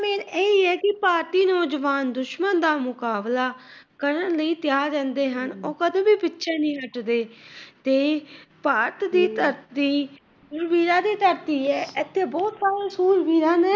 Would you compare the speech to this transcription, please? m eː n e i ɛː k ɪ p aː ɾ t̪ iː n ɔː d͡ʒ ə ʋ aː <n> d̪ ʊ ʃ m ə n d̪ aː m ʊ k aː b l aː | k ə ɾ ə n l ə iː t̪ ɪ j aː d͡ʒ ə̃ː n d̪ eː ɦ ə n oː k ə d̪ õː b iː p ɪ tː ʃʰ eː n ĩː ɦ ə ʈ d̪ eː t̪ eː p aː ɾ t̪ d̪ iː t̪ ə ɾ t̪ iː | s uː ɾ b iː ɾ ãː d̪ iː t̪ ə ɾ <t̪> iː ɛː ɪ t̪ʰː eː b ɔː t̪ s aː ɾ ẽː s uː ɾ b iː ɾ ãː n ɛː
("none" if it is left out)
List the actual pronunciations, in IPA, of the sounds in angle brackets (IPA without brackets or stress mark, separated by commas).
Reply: n, t̪